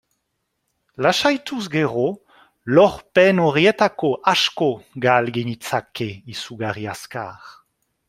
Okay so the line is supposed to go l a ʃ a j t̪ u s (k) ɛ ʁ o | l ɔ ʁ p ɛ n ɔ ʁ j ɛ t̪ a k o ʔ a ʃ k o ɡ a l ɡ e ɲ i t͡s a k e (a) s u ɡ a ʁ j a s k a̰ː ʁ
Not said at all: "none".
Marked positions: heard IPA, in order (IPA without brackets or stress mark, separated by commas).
ɡ, i